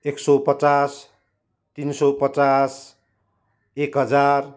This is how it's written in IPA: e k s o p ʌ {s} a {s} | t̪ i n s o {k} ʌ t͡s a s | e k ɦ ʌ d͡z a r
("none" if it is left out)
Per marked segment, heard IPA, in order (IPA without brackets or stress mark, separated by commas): t͡s, s, p